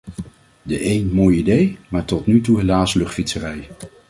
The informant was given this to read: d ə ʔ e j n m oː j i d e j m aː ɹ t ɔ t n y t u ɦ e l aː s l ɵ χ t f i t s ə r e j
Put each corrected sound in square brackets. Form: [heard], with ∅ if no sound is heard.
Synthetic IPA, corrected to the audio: d ə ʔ e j n m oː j i d e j m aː ɹ t ɔ t n y t u ɦ e l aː s l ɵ χ t f i t s ə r [ɛ] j